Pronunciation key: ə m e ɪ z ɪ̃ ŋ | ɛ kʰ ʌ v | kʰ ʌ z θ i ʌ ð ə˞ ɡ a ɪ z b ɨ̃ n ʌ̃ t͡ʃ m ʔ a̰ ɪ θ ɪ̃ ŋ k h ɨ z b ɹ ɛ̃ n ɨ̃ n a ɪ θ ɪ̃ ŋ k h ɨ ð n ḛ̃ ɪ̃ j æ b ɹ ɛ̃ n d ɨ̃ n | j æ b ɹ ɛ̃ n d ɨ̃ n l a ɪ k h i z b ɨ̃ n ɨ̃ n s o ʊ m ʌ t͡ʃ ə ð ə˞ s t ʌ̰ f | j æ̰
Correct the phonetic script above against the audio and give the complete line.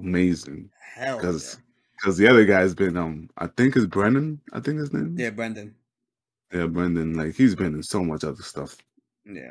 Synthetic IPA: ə m e ɪ z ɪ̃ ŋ | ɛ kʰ ʌ z | kʰ ʌ z ð i ʌ ð ə˞ ɡ a ɪ z b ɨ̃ n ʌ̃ m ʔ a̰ ɪ θ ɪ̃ ŋ k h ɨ z b ɹ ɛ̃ n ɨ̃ n a ɪ θ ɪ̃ ŋ k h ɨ z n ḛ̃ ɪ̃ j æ b ɹ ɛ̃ n d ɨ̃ n | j æ b ɹ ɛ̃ n d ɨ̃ n l a ɪ k h i z b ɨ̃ n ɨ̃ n s o ʊ m ʌ t͡ʃ ʌ ð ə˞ s t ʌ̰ f | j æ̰